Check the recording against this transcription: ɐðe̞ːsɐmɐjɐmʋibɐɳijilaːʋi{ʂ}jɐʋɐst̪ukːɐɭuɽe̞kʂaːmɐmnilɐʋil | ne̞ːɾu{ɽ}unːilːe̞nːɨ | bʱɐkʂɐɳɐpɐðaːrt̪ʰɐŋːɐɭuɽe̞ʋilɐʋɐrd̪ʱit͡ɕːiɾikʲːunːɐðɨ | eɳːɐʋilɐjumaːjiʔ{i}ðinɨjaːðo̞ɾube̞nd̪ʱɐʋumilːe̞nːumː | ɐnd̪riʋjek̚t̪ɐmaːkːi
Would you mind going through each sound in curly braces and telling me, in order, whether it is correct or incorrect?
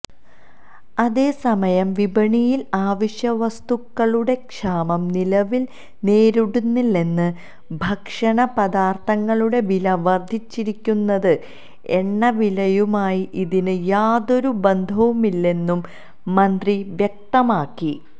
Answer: incorrect, correct, correct

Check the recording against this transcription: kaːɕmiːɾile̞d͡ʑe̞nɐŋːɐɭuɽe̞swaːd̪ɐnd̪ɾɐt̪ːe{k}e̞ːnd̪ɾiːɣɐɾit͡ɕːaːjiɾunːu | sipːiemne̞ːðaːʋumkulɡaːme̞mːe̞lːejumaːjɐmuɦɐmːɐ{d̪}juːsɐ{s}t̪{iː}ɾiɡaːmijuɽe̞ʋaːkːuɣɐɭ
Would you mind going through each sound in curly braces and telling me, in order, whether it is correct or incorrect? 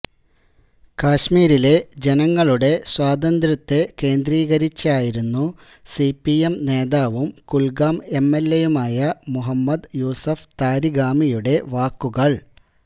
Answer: correct, correct, incorrect, incorrect

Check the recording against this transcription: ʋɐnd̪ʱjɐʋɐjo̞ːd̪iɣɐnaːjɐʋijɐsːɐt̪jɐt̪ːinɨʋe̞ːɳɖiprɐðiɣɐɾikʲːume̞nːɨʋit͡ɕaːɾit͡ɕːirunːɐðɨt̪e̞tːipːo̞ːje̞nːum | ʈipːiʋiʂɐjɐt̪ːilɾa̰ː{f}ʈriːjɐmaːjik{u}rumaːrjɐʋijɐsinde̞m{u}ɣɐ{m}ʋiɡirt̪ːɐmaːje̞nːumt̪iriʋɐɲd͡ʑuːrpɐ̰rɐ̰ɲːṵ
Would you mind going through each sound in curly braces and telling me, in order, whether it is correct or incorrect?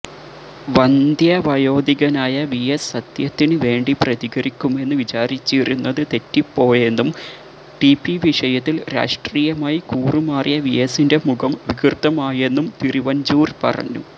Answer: incorrect, incorrect, correct, correct

